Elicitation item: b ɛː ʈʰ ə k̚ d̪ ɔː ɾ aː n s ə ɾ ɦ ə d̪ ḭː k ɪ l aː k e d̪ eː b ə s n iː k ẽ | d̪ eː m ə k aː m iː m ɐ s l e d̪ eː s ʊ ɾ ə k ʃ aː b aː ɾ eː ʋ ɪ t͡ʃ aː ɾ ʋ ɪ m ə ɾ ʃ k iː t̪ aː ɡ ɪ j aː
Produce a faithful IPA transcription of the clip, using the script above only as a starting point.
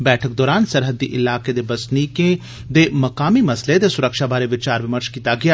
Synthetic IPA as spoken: b ɛː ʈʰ ə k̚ d̪ ɔː ɾ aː n s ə ɾ ɦ ə d̪ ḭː ʔ ɪ l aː k e d̪ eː b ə s n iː k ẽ | d̪ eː m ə k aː m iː m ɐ s l e d̪ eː s ʊ ɾ ə k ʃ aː b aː ɾ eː ʋ ɪ t͡ʃ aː ɾ ʋ ɪ m ə ɾ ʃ k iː t̪ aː ɡ ɪ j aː